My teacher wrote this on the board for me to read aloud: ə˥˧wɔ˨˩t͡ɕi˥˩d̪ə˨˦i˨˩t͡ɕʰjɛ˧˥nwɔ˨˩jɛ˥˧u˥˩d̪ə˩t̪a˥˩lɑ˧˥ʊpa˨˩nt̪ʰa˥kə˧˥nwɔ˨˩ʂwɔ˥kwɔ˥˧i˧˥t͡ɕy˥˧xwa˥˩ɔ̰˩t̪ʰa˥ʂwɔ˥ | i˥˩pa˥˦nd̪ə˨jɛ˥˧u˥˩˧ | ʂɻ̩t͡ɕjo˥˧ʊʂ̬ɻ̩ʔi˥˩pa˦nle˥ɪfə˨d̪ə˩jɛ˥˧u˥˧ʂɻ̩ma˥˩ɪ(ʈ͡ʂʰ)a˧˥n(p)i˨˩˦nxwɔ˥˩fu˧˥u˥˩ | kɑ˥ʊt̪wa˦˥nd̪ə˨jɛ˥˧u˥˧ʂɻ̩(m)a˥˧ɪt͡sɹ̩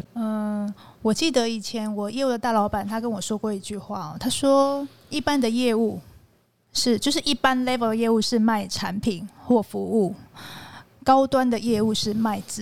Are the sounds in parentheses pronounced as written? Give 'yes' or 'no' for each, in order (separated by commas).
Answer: yes, no, yes